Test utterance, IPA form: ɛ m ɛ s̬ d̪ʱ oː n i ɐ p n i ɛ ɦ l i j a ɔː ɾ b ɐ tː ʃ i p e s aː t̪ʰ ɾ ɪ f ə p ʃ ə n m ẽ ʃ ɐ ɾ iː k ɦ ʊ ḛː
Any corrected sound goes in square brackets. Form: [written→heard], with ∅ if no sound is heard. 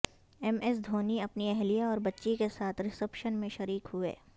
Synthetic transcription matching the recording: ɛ m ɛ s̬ d̪ʱ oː n i ɐ p n i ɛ ɦ l i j a ɔː ɾ b ɐ tː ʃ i [p→k] e s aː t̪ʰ ɾ ɪ [f→s] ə p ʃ ə n m ẽ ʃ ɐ ɾ iː k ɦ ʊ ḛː

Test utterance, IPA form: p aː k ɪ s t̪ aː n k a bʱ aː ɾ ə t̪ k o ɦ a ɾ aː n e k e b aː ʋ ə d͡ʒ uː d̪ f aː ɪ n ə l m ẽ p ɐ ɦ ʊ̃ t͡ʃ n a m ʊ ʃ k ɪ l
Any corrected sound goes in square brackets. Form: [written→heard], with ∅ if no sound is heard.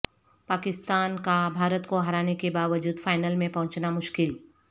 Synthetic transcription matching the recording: p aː k ɪ s t̪ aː n k a bʱ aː ɾ ə t̪ k o ɦ [a→ɐ] ɾ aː n e k e b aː ʋ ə d͡ʒ uː d̪ f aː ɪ n ə l m ẽ p ɐ ɦ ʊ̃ t͡ʃ n a m ʊ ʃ k ɪ l

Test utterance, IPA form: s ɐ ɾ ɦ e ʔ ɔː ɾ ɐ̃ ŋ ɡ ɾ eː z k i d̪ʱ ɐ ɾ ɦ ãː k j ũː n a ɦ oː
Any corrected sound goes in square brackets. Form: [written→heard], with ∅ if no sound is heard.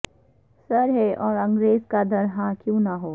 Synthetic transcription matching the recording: s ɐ ɾ ɦ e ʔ ɔː ɾ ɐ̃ ŋ ɡ ɾ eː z k [i→a] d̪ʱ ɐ ɾ ɦ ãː k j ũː n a ɦ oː

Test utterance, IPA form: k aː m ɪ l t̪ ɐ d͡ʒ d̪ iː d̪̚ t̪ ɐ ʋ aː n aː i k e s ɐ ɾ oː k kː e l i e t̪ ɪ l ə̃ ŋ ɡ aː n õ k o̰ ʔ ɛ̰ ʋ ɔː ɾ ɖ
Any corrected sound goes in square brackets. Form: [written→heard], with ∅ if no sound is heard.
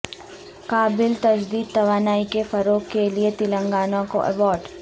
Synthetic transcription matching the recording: k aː [m→b] ɪ l t̪ ɐ d͡ʒ d̪ iː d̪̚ t̪ ɐ ʋ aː n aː i k e [s→f] ɐ ɾ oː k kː e l i e t̪ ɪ l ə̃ ŋ ɡ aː n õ k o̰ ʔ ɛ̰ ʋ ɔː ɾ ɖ

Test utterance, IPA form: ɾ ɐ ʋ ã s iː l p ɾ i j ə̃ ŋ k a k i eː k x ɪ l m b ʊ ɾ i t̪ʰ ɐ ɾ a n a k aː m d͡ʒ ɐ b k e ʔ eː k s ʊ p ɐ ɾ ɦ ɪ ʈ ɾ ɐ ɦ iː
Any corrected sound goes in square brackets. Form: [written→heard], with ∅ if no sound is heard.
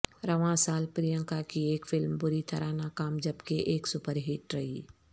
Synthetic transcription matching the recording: ɾ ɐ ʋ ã s [iː→aː] l p ɾ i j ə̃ ŋ k a k i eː k [x→f] ɪ l m b ʊ ɾ i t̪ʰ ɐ ɾ a n a k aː m d͡ʒ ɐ b k e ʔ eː k s ʊ p [ɐ→ə] ɾ ɦ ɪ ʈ ɾ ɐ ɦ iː

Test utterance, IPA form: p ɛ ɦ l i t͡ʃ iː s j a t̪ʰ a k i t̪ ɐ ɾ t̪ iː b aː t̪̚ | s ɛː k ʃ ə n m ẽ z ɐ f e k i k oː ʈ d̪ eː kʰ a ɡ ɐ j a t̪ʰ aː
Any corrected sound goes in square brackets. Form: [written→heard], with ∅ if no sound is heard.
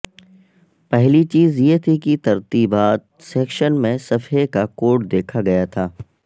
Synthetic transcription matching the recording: p ɛ ɦ l i t͡ʃ iː [s→z] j [a→e] t̪ʰ [a→i] k i t̪ ɐ ɾ t̪ iː b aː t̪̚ | s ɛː k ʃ ə n m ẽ [z→s] ɐ f e k [i→a] k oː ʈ d̪ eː kʰ a ɡ ɐ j a t̪ʰ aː

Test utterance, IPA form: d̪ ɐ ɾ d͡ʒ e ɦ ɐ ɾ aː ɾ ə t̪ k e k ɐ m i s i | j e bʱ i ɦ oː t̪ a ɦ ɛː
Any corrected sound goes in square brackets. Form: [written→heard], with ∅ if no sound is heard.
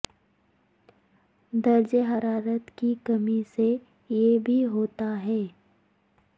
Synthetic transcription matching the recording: d̪ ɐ ɾ d͡ʒ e ɦ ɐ ɾ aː ɾ ə t̪ k [e→i] k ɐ m i s [i→e] | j e bʱ i ɦ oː t̪ a ɦ ɛː

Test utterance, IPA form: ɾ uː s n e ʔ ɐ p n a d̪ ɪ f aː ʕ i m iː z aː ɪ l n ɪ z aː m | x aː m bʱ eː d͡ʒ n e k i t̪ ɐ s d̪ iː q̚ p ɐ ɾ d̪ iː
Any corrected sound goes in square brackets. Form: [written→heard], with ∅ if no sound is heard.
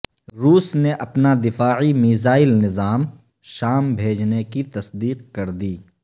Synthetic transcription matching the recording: ɾ uː s n e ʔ ɐ p n a d̪ ɪ f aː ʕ i m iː z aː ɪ l n ɪ z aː m | [x→ʃ] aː m bʱ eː d͡ʒ n e k i t̪ ɐ s d̪ iː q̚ [p→k] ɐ ɾ d̪ iː

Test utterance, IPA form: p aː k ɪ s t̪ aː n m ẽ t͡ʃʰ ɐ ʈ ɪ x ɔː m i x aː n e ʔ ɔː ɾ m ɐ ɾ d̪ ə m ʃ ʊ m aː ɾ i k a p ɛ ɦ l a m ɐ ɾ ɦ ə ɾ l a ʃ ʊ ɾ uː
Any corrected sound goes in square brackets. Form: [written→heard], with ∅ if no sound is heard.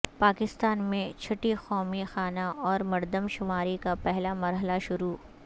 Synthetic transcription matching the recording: p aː k ɪ s t̪ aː n m ẽ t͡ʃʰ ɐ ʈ [ɪ→i] x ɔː m i x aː n [e→a] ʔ ɔː ɾ m ɐ ɾ d̪ ə m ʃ ʊ m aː ɾ i k a p ɛ ɦ l a m ɐ ɾ ɦ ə [ɾ→∅] l a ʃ ʊ ɾ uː

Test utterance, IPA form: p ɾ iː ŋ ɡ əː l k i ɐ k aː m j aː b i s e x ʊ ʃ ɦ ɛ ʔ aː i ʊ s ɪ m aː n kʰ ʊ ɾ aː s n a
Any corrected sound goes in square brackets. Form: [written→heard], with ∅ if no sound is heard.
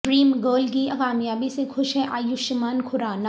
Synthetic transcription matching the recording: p ɾ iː [ŋ→m] ɡ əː l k i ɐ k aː m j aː b i s e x ʊ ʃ ɦ ɛ ʔ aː [i→j] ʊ [s→ʃ] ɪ m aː n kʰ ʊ ɾ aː [s→∅] n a

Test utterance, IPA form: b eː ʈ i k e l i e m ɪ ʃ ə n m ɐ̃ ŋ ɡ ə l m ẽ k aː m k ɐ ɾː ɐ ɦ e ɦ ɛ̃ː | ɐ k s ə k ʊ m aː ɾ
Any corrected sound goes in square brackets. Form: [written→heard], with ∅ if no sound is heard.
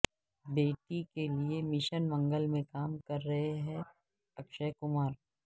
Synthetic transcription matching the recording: b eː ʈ i k e l i e m ɪ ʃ ə n m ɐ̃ ŋ ɡ ə l m ẽ k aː m k ɐ ɾː ɐ ɦ e ɦ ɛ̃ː | ɐ k [s→ʃ] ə k ʊ m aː ɾ

